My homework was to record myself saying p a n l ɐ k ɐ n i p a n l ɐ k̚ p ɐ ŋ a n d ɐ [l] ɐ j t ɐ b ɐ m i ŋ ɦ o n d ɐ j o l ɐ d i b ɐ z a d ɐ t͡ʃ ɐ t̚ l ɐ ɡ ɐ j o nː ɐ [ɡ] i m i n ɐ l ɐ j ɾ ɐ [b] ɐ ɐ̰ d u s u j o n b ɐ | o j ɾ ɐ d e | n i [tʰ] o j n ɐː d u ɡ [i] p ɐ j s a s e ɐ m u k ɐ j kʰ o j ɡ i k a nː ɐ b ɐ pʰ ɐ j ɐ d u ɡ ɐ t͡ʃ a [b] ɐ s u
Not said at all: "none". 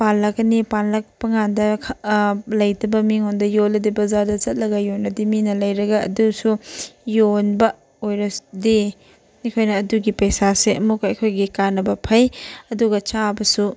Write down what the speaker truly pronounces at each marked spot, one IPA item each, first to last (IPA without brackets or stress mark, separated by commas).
l, d, ɡ, kʰ, i, b